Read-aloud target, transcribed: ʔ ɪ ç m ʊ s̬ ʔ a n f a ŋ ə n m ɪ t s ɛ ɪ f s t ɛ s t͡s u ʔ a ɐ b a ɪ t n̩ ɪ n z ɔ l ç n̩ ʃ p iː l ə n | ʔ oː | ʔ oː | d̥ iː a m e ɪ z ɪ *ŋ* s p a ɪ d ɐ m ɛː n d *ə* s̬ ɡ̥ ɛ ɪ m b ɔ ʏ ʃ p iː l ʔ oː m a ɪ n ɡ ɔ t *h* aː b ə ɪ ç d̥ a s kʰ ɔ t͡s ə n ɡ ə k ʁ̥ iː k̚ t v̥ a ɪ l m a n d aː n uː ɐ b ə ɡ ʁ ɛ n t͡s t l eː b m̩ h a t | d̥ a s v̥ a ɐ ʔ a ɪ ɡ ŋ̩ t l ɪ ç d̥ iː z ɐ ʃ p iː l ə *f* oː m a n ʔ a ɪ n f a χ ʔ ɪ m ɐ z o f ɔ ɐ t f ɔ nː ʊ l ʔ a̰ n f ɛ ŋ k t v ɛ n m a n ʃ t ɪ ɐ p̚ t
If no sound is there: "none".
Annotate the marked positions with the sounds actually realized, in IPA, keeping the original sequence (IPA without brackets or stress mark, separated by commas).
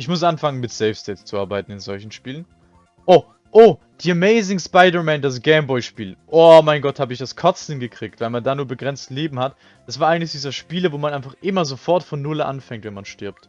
ŋ, a, h, v